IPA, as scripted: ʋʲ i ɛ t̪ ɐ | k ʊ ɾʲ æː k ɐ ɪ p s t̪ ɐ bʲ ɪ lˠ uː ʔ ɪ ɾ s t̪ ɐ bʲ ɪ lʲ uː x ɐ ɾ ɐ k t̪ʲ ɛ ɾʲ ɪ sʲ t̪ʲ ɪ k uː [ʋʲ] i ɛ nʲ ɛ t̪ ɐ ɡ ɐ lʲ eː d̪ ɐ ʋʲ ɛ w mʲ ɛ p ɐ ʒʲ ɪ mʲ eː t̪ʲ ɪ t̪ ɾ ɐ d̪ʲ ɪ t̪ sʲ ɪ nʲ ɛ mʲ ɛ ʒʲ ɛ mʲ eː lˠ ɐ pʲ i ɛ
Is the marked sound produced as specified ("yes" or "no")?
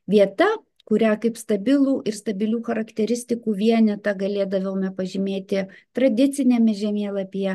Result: yes